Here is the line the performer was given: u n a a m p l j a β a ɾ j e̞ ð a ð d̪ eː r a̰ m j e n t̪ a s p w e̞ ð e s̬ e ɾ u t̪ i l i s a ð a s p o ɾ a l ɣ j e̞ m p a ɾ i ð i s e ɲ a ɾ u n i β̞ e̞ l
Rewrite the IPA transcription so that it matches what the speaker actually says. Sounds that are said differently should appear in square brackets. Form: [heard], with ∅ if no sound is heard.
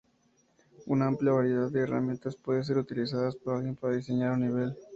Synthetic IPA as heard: u n a a m p l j a β a ɾ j e̞ ð a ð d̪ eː r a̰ m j e n t̪ a s p w e̞ ð e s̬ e ɾ u t̪ i l i s a ð a s p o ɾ a l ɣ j e̞ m p a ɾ [a] ð i s e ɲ a ɾ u n i β̞ e̞ l